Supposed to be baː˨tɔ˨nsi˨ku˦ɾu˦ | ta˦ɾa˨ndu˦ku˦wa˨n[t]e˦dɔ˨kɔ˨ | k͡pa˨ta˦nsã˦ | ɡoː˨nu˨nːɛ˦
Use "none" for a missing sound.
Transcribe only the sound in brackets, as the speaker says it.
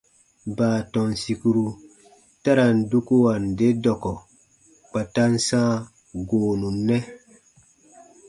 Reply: d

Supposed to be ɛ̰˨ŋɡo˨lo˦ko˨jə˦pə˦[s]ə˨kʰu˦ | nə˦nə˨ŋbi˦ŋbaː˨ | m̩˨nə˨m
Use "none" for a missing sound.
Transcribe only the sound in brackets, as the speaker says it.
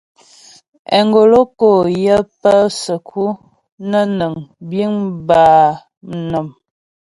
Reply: s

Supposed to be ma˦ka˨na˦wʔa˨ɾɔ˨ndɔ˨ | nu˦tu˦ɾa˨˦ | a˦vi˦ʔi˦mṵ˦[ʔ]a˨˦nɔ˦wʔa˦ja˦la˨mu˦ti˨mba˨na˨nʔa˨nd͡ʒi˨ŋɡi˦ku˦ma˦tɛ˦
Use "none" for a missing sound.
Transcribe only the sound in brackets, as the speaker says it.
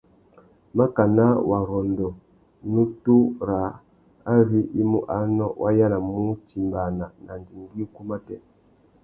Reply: ʔ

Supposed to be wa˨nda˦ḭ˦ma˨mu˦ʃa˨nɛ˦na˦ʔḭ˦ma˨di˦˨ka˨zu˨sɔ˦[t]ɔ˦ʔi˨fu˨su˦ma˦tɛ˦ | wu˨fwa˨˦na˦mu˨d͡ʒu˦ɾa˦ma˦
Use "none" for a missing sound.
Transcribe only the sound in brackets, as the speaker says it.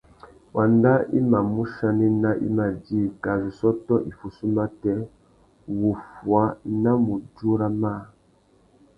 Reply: t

